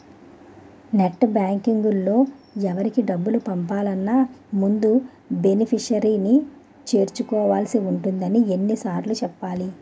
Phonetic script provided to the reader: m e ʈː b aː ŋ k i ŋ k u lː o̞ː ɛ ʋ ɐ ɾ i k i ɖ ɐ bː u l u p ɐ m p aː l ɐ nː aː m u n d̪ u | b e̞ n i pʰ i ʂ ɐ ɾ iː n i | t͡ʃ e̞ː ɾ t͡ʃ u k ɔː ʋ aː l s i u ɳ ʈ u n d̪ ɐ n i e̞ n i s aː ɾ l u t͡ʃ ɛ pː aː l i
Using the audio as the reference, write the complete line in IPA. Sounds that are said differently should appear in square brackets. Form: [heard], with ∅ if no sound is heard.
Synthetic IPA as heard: [n] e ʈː b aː ŋ k i ŋ [ɡ] u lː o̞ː ɛ ʋ ɐ ɾ i k i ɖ ɐ bː u l u p ɐ m p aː l ɐ nː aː m u n d̪ u | b e̞ n i pʰ i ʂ ɐ ɾ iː n i | t͡ʃ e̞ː ɾ t͡ʃ u k ɔː ʋ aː l s i u ɳ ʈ u n d̪ ɐ n i e̞ [nː] i s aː ɾ l u t͡ʃ ɛ pː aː l i